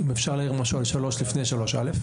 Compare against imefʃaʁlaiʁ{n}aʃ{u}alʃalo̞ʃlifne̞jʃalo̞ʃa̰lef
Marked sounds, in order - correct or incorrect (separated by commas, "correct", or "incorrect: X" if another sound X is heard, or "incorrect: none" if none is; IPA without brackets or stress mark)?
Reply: incorrect: m, correct